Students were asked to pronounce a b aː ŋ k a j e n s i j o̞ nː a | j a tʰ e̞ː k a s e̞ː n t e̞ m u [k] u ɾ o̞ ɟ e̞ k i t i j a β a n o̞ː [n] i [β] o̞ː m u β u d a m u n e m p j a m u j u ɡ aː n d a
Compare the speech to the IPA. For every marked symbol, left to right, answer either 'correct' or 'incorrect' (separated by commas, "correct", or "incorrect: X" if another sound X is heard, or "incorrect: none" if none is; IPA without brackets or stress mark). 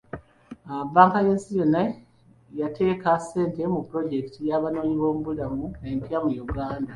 incorrect: p, incorrect: ɲ, correct